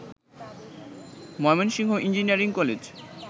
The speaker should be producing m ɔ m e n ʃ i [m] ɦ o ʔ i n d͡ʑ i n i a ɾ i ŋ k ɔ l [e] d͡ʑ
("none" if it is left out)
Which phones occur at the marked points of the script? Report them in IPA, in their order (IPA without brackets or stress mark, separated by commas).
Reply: ŋ, e